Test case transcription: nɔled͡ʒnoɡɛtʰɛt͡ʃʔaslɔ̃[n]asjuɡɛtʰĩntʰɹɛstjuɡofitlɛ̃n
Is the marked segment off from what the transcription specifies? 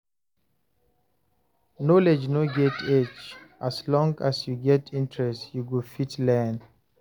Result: yes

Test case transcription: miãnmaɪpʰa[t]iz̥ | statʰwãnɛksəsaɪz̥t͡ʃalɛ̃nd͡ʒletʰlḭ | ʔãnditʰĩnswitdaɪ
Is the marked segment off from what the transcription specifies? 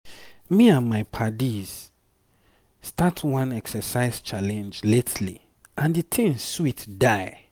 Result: yes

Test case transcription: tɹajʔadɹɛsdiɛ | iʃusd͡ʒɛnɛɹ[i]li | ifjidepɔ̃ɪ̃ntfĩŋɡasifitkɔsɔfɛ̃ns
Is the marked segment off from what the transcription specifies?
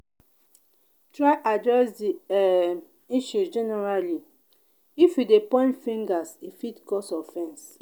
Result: yes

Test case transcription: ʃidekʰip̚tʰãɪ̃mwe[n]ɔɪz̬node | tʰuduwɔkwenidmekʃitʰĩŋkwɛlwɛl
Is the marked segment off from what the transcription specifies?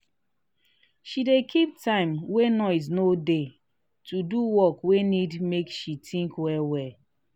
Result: no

